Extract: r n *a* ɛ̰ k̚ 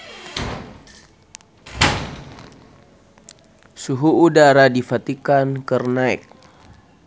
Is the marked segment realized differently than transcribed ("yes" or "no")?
no